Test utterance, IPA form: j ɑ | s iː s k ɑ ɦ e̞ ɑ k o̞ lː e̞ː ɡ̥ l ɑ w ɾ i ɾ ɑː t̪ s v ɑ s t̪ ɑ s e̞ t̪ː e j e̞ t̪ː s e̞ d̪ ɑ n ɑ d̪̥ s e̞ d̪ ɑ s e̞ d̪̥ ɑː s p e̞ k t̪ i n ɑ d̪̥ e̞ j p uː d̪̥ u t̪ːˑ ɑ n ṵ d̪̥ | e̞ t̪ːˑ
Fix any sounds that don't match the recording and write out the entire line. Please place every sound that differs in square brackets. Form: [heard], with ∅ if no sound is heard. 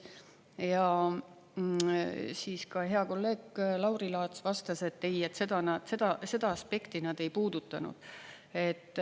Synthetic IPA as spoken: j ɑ | s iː s k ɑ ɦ e̞ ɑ k o̞ lː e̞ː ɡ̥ l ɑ w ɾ i [l] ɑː t̪ s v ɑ s t̪ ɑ s e̞ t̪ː e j e̞ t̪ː s e̞ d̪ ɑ n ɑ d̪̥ s e̞ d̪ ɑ s e̞ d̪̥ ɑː s p e̞ k t̪ i n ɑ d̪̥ e̞ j p uː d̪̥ u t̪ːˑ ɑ n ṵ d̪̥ | e̞ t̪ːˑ